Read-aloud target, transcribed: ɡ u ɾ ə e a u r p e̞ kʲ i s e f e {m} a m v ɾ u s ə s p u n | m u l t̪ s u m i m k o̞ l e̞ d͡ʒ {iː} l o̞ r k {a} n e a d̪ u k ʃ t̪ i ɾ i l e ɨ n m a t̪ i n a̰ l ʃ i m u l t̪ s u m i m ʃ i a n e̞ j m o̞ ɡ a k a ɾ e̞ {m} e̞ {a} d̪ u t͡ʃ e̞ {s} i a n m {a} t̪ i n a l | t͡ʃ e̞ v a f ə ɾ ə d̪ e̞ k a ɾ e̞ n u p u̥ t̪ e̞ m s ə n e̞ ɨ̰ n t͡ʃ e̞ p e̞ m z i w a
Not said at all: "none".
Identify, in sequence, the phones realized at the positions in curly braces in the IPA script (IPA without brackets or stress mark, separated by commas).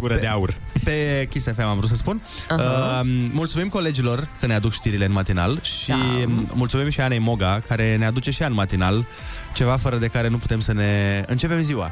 m, i, ə, n, a, ʃ, a